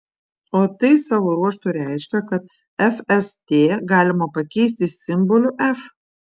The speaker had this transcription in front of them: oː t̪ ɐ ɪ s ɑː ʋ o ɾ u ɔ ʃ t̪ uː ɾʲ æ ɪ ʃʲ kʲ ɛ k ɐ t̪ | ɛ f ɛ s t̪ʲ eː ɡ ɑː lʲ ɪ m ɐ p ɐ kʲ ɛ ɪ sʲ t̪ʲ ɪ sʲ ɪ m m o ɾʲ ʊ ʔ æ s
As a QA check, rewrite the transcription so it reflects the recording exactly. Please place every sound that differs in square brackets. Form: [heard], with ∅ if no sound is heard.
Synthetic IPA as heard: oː t̪ ɐ ɪ s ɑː ʋ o ɾ u ɔ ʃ t̪ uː ɾʲ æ ɪ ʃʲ kʲ ɛ k ɐ t̪ | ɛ f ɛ s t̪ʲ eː ɡ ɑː lʲ ɪ m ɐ p ɐ kʲ ɛ ɪ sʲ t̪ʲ ɪ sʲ ɪ m [b] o [lʲ] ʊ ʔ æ [f]